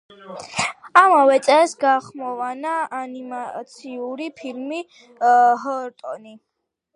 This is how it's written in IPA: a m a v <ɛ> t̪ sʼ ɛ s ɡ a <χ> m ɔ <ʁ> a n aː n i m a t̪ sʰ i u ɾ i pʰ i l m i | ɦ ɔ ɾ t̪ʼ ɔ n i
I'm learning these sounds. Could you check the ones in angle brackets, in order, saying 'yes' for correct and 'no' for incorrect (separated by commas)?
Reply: yes, yes, no